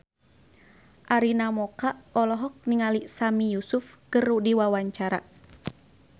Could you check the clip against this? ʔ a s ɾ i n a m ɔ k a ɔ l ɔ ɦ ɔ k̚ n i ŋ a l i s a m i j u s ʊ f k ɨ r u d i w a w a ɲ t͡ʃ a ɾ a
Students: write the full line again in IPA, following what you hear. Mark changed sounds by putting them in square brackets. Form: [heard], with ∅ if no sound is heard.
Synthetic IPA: ʔ a [∅] ɾ i n a m ɔ k a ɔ l ɔ ɦ ɔ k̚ n i ŋ a l i s a m i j u s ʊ f k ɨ r u d i w a w a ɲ t͡ʃ a ɾ a